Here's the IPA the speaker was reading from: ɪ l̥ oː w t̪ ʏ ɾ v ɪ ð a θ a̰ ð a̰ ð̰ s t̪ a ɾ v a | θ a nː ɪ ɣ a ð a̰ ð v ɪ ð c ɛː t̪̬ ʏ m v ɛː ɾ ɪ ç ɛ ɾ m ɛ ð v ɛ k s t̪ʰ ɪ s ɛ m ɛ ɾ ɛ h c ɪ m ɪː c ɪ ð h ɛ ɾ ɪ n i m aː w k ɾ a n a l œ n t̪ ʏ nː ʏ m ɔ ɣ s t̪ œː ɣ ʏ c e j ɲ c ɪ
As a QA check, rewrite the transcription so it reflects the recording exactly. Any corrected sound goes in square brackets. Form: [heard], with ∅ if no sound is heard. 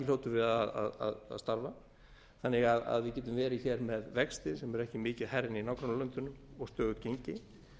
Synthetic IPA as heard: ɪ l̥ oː w t̪ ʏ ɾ v ɪ ð a [ð] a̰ ð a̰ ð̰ s t̪ a ɾ v a | θ a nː ɪ ɣ a ð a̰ ð v ɪ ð c ɛː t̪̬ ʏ m v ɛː ɾ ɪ ç ɛ ɾ m ɛ ð v ɛ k s [t̪] ɪ s ɛ m ɛ ɾ ɛ h c ɪ m ɪː c ɪ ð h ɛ ɾ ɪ n i [n] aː w k ɾ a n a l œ n t̪ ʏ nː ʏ m ɔ ɣ s t̪ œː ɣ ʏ c e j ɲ c ɪ